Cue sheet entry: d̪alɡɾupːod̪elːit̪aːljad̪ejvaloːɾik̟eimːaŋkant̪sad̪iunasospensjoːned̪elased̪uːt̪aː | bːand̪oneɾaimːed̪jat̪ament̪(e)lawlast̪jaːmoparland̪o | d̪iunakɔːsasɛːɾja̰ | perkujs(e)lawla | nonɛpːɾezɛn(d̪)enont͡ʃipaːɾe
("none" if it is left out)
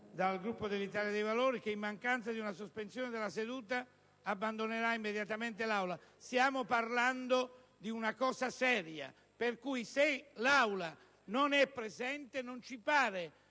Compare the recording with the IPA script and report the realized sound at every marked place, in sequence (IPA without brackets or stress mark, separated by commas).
e, e, t̪